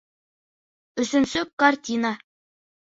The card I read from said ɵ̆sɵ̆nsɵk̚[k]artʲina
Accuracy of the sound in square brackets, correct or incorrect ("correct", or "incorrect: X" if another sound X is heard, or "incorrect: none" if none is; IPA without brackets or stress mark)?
correct